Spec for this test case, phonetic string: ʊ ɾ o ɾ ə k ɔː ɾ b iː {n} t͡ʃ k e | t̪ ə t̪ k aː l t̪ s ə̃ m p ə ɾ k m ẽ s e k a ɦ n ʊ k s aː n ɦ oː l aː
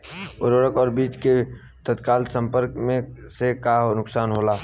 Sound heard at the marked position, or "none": none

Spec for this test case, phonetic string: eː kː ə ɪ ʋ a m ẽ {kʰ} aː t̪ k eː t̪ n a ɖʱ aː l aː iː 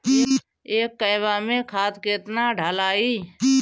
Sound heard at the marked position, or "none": kʰ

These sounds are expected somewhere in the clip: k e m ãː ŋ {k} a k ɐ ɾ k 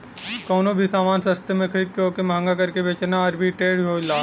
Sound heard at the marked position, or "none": ɡ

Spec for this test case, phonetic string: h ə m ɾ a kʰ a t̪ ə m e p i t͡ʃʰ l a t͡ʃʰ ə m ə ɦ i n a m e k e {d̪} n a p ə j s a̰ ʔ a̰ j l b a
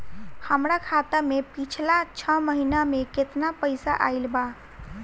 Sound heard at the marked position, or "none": t̪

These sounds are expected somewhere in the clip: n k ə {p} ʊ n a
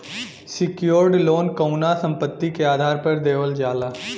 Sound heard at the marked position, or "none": none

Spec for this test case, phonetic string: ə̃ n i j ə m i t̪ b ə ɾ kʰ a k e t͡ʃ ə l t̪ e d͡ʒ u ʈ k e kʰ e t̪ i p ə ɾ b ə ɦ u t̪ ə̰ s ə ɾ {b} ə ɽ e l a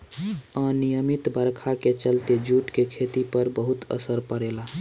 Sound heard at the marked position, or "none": p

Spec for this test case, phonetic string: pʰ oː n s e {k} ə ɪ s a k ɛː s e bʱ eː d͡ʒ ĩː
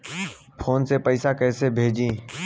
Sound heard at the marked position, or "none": p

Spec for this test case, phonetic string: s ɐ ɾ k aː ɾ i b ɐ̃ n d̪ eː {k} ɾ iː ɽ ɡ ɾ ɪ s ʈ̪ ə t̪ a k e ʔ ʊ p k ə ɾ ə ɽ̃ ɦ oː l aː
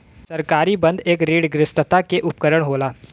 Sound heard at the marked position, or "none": k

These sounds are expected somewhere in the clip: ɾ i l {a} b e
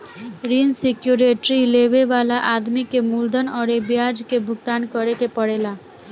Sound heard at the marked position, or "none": e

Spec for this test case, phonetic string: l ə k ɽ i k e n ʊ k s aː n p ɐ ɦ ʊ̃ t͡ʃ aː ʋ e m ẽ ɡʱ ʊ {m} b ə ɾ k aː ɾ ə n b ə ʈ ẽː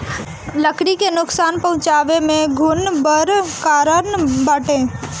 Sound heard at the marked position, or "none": n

